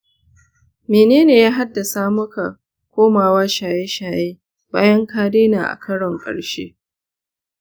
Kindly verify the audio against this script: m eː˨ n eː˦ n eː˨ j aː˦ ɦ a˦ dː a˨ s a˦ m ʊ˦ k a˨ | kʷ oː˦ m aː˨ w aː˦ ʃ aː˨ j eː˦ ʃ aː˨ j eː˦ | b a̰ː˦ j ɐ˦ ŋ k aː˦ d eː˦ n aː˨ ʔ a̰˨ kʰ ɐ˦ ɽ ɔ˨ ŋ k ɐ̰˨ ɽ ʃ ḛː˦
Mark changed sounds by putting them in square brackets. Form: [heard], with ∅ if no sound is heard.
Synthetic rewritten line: m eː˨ n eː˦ n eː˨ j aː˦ ɦ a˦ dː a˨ s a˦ m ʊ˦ k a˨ | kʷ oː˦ m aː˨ w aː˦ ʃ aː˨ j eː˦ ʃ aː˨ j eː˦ | b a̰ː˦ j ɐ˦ ŋ k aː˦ d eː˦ n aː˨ ʔ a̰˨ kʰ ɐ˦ ɽ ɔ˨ ŋ [kʼ] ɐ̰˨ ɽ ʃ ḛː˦